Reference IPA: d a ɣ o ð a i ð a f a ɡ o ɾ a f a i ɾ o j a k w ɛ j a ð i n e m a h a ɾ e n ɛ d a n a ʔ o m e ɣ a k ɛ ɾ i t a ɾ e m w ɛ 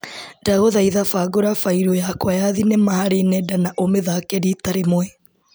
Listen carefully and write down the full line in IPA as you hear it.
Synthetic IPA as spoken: d a ɣ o ð a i ð a f a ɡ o ɾ a f a i ɾ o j a k w a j a ð i n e m a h a ɾ e n ɛ d a n a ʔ o m e ð a k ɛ ɾ i t a ɾ e m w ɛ